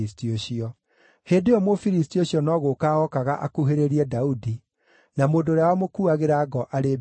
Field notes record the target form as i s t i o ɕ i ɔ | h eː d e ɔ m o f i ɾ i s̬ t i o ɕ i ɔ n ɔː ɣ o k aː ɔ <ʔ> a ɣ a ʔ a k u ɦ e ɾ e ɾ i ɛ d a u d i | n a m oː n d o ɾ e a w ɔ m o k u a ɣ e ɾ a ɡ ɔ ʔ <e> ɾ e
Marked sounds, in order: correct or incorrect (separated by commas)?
incorrect, incorrect